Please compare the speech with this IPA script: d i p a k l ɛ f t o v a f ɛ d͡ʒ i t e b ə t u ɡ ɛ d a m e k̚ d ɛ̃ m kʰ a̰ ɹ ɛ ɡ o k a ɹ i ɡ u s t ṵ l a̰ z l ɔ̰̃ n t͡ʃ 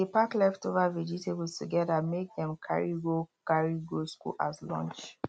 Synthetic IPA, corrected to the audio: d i p a k l ɛ f t o v a v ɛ d͡ʒ i t e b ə t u ɡ ɛ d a m e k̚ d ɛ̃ m kʰ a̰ ɹ i ɡ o k a ɹ i ɡ o s k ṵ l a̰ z l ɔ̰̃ n t͡ʃ